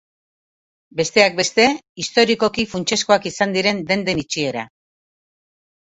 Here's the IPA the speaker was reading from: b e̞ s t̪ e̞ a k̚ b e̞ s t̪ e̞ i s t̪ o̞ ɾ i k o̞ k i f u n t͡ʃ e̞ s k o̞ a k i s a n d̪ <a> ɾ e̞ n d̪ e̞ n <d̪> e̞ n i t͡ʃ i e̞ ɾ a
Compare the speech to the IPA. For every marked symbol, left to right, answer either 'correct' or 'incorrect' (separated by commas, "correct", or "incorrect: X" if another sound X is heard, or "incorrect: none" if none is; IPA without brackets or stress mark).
incorrect: i, correct